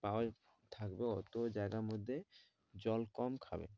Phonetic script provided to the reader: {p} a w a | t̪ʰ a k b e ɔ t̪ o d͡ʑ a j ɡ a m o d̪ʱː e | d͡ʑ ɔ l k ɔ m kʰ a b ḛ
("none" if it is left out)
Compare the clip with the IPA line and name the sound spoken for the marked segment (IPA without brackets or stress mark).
p